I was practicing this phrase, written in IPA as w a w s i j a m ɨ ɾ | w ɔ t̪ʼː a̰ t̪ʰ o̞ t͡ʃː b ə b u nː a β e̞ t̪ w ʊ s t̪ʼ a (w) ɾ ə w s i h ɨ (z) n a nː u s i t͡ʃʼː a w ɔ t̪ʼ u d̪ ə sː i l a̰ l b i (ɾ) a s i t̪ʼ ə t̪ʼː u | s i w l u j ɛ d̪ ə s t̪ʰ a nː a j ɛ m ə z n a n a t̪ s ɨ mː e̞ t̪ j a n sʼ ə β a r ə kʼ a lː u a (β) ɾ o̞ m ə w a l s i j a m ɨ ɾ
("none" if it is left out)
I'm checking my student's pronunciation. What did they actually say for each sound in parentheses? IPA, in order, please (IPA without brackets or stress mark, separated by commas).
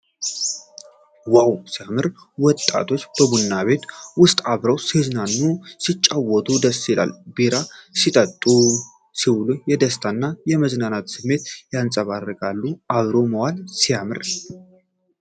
β, z, ɾ, β